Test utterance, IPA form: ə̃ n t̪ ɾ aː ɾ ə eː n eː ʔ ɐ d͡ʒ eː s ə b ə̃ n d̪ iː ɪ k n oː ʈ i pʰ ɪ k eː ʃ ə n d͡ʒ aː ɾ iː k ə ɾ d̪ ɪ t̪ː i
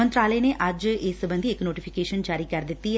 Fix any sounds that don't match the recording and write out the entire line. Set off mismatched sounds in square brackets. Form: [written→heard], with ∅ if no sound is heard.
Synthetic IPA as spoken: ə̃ n t̪ ɾ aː [ɾ→l] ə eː n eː ʔ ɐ d͡ʒ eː s ə b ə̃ n d̪ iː ɪ k n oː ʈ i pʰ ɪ k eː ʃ ə n d͡ʒ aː ɾ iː k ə ɾ d̪ ɪ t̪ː i